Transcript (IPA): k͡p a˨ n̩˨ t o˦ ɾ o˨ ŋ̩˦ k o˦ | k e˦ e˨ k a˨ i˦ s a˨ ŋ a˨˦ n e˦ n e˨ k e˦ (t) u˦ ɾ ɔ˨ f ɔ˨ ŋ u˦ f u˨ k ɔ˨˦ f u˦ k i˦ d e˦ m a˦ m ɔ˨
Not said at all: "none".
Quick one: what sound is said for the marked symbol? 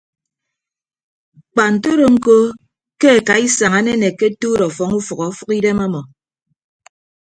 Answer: t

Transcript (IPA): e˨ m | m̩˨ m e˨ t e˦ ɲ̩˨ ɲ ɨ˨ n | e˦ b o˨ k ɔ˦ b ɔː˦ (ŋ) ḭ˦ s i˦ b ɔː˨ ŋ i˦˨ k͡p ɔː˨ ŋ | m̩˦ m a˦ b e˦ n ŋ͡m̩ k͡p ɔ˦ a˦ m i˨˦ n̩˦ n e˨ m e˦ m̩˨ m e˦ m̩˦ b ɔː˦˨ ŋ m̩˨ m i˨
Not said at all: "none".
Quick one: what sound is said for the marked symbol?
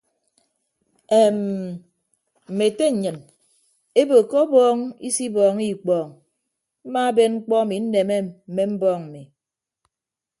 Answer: ŋ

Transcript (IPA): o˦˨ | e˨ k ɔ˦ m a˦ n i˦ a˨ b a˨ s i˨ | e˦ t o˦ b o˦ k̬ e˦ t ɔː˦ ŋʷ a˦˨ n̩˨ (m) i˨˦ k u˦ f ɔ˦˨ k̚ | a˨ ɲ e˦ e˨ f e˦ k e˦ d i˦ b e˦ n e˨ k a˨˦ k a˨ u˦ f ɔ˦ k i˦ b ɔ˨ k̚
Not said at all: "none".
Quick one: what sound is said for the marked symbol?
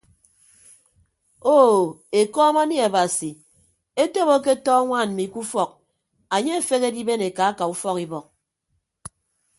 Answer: m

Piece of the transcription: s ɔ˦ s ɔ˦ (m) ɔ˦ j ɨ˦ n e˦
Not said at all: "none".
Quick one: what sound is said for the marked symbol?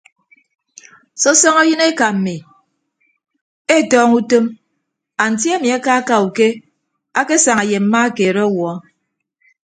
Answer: ŋ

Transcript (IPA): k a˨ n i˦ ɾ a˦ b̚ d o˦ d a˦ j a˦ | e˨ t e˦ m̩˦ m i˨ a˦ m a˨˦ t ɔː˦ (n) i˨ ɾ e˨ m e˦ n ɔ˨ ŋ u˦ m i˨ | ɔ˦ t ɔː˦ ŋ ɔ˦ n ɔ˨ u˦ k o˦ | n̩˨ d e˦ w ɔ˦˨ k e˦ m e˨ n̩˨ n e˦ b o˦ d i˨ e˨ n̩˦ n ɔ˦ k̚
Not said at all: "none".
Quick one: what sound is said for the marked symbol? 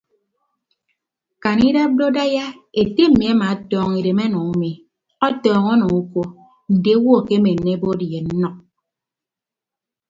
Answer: ŋ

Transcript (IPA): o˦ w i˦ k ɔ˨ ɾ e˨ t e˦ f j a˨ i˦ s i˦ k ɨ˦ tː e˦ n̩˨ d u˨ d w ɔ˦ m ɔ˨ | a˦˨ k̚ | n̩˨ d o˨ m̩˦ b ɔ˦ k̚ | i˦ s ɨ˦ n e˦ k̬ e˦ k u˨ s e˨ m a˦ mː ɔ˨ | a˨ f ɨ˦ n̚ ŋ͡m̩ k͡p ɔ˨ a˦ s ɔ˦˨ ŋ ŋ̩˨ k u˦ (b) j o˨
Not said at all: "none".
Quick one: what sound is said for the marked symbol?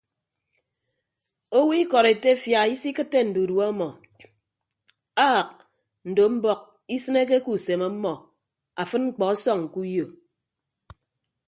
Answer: none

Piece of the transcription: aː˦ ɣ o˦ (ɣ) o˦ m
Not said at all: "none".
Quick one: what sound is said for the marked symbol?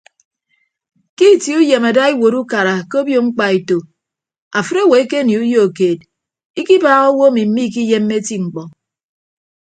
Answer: w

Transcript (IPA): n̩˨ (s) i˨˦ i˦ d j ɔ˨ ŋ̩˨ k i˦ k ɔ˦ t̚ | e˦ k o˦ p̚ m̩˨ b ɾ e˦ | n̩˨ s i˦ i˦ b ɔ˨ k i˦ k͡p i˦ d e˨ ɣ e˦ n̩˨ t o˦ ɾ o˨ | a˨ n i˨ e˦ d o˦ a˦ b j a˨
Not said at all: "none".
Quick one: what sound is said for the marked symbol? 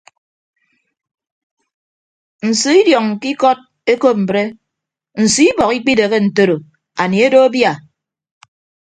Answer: s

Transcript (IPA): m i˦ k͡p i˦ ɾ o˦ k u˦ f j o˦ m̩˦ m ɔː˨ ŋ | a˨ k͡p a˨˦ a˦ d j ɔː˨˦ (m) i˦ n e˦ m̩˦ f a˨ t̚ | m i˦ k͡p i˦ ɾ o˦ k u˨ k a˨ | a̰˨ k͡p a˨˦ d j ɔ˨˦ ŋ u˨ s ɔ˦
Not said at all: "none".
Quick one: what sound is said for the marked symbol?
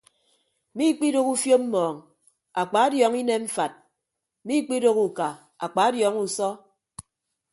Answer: ŋ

